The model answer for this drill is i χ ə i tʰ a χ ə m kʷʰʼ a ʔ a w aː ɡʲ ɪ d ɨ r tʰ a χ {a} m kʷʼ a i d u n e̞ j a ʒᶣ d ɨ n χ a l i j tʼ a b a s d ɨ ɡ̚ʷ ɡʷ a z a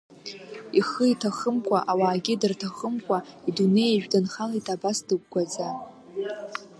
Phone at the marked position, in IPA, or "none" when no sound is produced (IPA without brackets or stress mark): ə